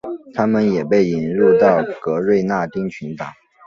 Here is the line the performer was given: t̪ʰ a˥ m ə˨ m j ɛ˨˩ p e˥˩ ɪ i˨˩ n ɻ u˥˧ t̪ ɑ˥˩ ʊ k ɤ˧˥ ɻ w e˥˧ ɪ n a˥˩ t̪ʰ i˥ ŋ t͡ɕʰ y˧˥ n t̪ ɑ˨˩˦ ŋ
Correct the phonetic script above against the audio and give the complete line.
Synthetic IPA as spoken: t̪ʰ a˥ m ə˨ n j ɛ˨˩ p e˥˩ ɪ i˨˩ n ɻ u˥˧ t̪ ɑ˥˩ ʊ k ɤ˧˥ ɻ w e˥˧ ɪ n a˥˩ t̪ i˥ ŋ t͡ɕʰ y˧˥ n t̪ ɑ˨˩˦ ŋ